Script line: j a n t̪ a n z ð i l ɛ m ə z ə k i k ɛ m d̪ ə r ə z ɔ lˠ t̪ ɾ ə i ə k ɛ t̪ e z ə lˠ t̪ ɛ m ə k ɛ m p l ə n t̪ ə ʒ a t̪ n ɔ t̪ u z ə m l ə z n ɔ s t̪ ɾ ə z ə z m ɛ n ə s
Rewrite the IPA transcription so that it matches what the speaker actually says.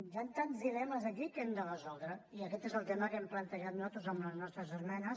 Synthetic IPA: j a n t̪ a n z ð i l ɛ m ə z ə k i k ɛ m d̪ ə r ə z ɔ lˠ d̪ ɾ ə i ə k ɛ t̪ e z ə lˠ t̪ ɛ m ə k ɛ m p l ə n t̪ ə ʒ a t̪ n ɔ t̪ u z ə m l ə z n ɔ s t̪ ɾ ə z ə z m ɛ n ə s